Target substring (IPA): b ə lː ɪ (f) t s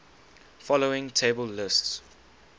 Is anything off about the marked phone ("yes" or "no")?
yes